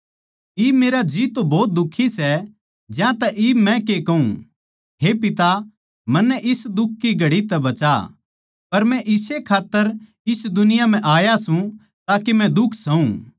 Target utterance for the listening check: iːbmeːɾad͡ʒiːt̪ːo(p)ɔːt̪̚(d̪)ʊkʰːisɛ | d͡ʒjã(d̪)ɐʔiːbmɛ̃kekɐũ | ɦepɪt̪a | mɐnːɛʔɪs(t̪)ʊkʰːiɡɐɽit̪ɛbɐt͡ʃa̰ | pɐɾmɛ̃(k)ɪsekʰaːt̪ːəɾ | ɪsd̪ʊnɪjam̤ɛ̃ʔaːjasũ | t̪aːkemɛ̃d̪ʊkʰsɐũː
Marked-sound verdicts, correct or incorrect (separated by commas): incorrect, correct, incorrect, incorrect, incorrect